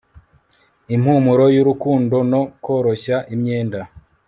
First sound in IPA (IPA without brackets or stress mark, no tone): i